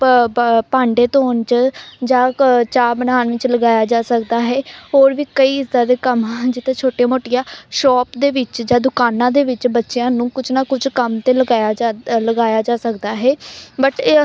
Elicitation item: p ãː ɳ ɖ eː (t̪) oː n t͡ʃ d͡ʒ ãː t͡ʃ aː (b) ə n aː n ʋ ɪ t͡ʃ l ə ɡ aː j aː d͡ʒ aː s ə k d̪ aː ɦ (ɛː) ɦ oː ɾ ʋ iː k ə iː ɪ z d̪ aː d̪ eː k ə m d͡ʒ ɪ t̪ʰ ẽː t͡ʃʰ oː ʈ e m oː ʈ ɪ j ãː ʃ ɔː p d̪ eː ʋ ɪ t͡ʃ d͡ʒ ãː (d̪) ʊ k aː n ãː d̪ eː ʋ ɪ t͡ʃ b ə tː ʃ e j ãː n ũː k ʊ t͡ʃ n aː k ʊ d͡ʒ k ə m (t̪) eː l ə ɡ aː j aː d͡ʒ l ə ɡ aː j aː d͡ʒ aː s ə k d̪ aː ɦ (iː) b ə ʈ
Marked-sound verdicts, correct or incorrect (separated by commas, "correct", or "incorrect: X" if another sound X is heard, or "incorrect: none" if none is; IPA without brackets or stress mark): correct, correct, correct, correct, correct, incorrect: ɛː